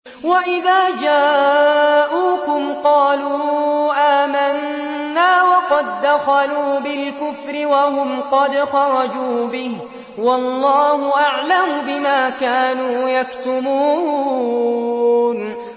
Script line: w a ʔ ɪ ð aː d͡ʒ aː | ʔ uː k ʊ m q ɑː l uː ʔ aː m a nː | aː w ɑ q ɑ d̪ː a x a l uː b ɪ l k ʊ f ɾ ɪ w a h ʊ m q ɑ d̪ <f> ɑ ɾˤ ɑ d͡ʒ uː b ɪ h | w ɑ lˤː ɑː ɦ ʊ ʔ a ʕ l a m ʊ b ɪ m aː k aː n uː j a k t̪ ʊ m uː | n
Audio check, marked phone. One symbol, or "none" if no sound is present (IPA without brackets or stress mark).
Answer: x